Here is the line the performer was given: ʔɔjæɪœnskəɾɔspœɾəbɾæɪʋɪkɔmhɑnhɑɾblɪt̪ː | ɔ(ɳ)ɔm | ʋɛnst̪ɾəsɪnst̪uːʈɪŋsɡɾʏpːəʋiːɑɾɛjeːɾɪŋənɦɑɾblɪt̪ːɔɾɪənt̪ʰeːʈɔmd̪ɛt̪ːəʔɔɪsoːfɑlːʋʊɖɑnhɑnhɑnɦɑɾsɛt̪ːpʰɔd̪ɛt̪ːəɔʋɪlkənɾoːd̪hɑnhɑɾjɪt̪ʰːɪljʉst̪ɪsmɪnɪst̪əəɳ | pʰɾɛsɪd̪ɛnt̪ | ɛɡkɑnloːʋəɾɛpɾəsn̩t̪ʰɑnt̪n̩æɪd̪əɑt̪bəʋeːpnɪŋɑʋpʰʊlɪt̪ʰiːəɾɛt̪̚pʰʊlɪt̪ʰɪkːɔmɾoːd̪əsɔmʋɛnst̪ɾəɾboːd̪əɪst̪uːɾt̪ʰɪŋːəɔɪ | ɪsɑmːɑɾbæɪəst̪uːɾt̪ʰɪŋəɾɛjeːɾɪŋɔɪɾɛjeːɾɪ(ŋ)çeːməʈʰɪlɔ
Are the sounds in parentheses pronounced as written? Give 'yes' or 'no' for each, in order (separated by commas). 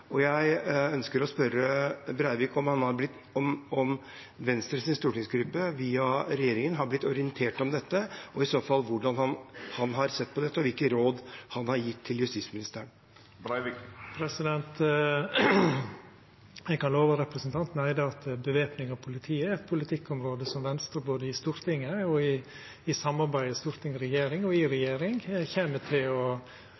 no, yes